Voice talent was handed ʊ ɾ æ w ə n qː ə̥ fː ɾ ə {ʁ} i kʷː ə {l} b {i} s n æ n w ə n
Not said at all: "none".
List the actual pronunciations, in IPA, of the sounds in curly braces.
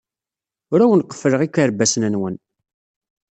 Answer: ʁ, ɾ, æ

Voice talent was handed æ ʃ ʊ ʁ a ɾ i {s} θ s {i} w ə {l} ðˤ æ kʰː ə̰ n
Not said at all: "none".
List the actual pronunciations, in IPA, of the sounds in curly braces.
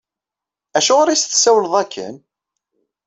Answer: s, æ, l

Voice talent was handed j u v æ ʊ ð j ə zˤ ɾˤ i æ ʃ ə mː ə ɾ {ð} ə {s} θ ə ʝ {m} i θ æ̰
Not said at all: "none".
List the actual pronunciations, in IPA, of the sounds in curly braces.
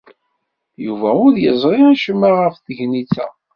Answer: ʁ, f, n

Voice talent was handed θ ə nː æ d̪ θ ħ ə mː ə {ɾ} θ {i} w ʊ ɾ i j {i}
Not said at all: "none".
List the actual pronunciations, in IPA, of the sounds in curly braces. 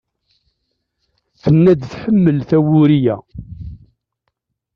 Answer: l, æ, æ

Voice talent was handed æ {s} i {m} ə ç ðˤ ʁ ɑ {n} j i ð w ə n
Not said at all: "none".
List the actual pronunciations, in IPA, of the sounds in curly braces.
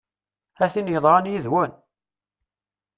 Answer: θ, n, n

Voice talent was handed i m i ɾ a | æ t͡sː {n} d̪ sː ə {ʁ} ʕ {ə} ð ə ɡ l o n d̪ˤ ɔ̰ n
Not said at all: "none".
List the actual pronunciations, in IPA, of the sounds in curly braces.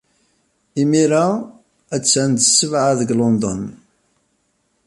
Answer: n, v, a

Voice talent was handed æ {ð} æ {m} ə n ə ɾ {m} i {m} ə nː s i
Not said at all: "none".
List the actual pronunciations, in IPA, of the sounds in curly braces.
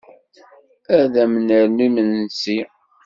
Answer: ð, m, n, m

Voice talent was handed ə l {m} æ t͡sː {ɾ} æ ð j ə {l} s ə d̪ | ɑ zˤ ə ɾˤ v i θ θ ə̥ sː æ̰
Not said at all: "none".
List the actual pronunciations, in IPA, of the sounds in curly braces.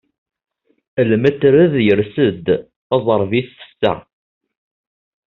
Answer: m, ɾ, ɾ

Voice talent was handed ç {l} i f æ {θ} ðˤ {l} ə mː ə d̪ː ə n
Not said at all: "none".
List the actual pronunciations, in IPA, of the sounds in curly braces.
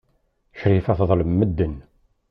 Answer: ɾ, θ, l

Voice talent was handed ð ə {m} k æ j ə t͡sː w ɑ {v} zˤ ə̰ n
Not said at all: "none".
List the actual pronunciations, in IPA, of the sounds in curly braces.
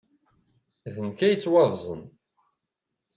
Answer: n, v

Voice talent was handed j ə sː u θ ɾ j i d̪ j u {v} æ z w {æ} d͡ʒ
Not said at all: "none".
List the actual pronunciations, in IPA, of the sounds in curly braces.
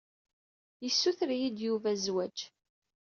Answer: v, æ

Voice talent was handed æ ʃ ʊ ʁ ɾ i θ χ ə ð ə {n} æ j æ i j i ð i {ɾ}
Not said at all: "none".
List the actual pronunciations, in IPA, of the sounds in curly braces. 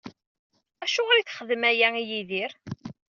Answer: m, ɾ

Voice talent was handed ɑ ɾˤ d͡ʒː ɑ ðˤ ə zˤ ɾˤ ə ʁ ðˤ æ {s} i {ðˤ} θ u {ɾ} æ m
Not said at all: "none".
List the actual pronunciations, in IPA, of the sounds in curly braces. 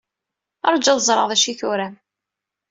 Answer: ʃ, none, ɾ

